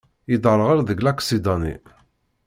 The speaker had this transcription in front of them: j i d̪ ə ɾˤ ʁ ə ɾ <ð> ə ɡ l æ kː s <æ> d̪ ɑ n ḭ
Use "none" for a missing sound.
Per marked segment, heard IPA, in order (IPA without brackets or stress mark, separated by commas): ð, i